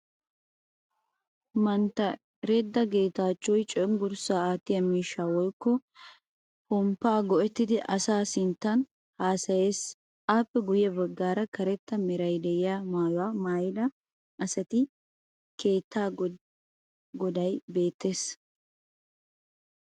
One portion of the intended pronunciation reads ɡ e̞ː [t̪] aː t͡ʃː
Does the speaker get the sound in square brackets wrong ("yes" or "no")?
no